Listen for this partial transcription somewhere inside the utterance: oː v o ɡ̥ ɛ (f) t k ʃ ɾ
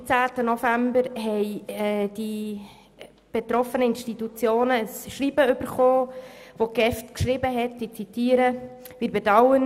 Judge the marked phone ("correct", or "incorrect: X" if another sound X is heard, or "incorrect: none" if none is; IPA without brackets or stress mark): correct